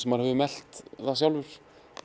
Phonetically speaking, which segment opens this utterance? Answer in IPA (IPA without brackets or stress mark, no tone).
s